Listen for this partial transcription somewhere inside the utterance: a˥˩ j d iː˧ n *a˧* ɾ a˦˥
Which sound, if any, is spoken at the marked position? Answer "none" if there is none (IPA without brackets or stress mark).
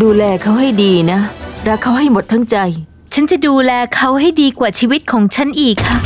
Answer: a˦˥